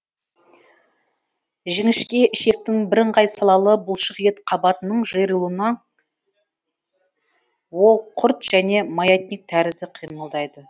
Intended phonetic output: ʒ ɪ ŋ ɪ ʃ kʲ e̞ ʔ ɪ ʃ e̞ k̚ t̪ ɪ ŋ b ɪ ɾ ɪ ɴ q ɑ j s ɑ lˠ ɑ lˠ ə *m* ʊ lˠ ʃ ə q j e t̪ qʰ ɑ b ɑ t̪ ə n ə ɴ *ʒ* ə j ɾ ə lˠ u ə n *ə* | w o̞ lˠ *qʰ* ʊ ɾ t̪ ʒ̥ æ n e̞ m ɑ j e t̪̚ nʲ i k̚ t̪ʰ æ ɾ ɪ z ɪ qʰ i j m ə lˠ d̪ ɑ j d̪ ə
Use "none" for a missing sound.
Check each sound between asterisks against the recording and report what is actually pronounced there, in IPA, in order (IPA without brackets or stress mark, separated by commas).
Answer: b, ʒ, ɑ, qʰ